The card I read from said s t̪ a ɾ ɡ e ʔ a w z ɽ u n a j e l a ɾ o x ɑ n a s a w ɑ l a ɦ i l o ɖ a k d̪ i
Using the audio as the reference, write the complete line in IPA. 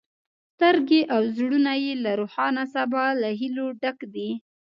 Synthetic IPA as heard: s t̪ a ɾ ɡ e ʔ a w z ɽ u n a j e l a ɾ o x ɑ n a s a b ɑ l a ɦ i l o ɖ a k d̪ i